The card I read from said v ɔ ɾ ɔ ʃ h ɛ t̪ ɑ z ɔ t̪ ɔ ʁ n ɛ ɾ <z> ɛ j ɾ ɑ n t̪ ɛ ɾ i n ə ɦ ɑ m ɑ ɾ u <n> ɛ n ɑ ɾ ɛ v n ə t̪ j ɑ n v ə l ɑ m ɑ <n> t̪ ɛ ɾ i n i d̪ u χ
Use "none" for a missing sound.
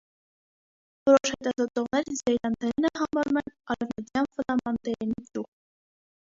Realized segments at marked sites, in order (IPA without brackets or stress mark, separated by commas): z, m, n